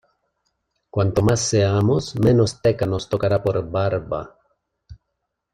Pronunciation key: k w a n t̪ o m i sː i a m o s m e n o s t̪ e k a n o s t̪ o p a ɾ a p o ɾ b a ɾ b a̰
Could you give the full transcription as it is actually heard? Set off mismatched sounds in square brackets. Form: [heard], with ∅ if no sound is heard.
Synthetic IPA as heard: k w a n t̪ o m [a] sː [e] a m o s m e n o s t̪ e k a n o s t̪ o [k] a ɾ a p o ɾ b a ɾ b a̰